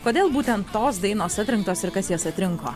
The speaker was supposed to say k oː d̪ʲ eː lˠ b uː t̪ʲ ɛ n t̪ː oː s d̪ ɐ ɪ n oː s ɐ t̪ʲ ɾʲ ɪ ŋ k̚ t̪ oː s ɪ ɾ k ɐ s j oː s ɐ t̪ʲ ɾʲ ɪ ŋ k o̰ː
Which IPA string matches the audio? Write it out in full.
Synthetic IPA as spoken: k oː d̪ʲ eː lˠ b uː t̪ʲ ɛ n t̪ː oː s d̪ ɐ ɪ n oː s ɐ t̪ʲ ɾʲ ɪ ŋ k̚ t̪ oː s ɪ ɾ k ɐ s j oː s ɐ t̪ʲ ɾʲ ɪ ŋ k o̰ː